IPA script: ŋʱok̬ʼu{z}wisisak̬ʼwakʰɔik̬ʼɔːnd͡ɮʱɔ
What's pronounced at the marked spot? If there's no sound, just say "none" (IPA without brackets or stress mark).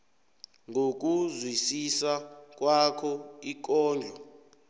z